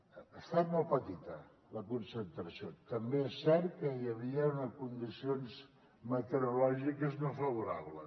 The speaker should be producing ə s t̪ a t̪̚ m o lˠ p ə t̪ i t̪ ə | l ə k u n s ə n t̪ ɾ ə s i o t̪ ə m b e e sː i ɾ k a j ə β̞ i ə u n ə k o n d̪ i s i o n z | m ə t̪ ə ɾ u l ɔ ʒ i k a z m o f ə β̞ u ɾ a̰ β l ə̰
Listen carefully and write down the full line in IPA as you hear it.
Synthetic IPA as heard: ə s t̪ a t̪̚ m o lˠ p ə t̪ i t̪ ə | l ə k u n s ə n t̪ ɾ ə s i o t̪ ə m b e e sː ɛ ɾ k ə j ə β̞ i ə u n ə k u n d̪ i s i o n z | m ə t̪ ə ɾ u l ɔ ʒ i k ə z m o f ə β̞ u ɾ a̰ β l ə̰